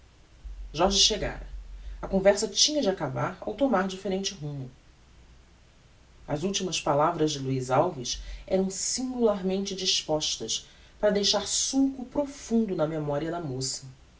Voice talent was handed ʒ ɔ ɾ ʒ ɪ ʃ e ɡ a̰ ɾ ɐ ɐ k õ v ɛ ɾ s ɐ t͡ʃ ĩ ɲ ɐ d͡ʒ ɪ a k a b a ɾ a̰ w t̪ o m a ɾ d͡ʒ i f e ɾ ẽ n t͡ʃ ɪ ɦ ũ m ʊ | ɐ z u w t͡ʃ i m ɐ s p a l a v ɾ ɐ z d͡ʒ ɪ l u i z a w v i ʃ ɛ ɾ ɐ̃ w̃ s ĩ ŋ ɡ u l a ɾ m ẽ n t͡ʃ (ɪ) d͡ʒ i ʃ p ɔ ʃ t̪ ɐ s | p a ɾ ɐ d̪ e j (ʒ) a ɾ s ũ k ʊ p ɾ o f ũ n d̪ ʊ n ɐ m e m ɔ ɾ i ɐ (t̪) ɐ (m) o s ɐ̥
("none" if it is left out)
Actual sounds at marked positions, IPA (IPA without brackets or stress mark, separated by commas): ɪ, ʃ, d̪, m